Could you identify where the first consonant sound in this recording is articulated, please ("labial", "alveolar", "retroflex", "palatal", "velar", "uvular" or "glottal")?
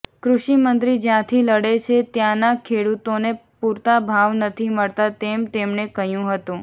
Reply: velar